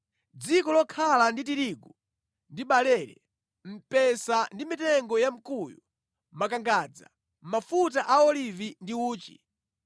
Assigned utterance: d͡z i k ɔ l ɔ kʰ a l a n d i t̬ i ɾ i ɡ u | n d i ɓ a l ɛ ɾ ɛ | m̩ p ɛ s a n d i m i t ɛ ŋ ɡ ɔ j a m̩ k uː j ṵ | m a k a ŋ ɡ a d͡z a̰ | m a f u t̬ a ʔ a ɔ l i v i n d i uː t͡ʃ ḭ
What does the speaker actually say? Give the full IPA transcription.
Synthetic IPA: d͡z i k ɔ l ɔ kʰ a l a n d i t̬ i ɾ i ɡ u | n d i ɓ a l ɛ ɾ ɛ | m̩ p ɛ s a n d i m i t ɛ ŋ ɡ ɔ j a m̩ k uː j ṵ | m a k a ŋ ɡ a d͡z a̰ | m a f u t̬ a ʔ a ɔ l i v i n d i uː t͡ʃ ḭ